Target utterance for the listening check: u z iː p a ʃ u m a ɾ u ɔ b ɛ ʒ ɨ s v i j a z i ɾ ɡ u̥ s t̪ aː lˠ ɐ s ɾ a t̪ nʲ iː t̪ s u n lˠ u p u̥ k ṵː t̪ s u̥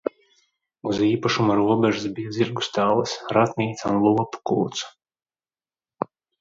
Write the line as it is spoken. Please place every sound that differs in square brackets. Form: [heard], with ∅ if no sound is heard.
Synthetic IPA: u z iː p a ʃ u m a ɾ u ɔ b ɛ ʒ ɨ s [b] i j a z i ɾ ɡ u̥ s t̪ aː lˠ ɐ s ɾ a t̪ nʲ iː t̪ s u n lˠ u p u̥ k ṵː t̪ s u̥